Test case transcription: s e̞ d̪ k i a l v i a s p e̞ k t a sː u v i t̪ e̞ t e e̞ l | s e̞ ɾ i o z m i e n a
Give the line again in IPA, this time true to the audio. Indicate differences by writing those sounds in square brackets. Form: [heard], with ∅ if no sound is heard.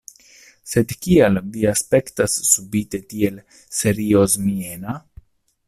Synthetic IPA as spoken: s e̞ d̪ k i a l v i a s p e̞ k t a sː u [b] i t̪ e̞ t [i] e̞ l | s e̞ ɾ i o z m i e n a